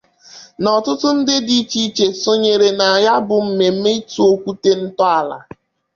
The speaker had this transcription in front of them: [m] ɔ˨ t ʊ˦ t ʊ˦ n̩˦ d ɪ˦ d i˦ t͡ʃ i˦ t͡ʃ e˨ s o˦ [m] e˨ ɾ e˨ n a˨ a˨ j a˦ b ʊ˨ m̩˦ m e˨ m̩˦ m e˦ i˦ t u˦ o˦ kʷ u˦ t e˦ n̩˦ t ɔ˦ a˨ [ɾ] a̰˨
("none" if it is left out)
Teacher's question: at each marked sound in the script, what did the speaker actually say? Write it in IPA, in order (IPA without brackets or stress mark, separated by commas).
n, ɲ, l